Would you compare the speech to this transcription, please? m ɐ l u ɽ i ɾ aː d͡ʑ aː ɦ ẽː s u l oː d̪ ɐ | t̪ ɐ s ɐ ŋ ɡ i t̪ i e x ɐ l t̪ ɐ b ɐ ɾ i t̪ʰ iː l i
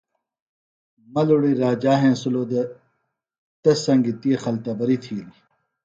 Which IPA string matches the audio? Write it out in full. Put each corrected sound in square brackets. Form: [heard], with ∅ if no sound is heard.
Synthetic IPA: m ɐ l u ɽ i ɾ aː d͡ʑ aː ɦ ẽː s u l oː d̪ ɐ | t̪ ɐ s ɐ ŋ ɡ i t̪ i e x ɐ l t̪ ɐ b ɐ ɾ i t̪ʰ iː l i